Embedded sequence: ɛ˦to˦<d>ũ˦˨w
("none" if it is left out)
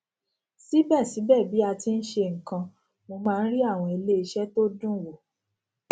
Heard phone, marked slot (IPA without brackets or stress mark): d